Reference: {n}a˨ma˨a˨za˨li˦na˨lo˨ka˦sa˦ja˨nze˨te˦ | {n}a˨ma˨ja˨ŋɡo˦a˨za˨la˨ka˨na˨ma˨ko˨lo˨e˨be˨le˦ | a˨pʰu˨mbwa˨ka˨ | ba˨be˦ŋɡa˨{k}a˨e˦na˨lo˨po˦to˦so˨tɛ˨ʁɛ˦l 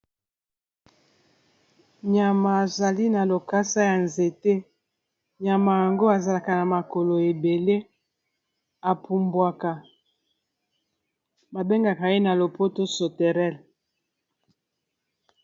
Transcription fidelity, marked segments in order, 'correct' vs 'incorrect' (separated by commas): incorrect, incorrect, correct